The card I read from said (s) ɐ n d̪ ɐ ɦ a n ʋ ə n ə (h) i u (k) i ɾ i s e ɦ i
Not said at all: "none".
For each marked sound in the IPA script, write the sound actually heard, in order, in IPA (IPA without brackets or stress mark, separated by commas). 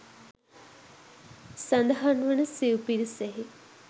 s, s, p